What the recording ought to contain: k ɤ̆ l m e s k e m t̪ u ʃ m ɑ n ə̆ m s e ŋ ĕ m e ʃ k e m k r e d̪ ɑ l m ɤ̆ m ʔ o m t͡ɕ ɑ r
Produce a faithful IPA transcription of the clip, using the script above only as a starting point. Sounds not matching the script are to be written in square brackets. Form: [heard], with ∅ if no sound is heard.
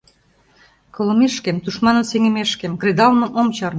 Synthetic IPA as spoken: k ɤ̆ l m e [ʃ] k e m t̪ u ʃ m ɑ n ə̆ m s e ŋ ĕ m e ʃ k e m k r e d̪ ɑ l m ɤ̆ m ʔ o m t͡ɕ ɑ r